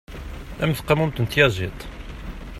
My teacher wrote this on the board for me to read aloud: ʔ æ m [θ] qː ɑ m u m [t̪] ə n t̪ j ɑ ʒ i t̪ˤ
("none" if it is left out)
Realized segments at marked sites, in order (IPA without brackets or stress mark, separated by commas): θ, t̪